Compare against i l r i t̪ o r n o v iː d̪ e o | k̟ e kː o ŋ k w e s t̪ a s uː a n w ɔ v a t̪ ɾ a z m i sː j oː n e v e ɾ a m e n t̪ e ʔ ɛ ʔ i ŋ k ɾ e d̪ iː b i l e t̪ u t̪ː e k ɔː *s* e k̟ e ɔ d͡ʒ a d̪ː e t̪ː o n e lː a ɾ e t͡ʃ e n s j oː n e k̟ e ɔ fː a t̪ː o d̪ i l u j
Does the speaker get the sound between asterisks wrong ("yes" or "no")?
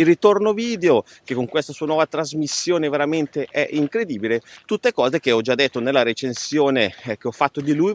yes